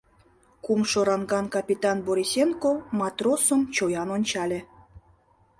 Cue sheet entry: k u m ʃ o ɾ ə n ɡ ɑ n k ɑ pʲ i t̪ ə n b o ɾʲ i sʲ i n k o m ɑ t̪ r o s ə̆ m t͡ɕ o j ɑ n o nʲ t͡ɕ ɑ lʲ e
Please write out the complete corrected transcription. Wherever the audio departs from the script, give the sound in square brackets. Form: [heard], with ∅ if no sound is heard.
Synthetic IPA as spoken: k u m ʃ o ɾ [ɑ] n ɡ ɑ n k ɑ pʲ i t̪ [ɑ] n b o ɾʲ i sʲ [e] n k o m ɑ t̪ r o s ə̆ m t͡ɕ o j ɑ n o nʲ t͡ɕ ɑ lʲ e